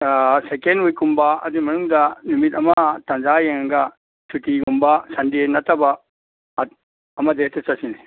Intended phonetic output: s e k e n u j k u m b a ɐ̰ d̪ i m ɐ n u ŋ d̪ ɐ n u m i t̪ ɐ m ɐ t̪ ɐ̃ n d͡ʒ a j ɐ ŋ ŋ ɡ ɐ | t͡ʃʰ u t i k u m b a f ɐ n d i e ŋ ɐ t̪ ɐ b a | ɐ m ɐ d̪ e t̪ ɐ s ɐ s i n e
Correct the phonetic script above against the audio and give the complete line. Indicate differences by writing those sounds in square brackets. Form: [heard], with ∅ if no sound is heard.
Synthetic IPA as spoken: s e k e n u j k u m b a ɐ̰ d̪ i m ɐ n u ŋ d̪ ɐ n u m i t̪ ɐ m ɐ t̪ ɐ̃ n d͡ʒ a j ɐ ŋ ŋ ɡ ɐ | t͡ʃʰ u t i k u m b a [s] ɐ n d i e [n] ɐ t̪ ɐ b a | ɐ m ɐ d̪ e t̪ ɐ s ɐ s i n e